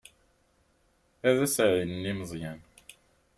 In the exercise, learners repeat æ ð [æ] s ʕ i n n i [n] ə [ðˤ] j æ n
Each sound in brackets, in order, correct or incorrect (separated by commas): correct, incorrect, incorrect